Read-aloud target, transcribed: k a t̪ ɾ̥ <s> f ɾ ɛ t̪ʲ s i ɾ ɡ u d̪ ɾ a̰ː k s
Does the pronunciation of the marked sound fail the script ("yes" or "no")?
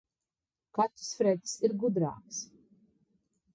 no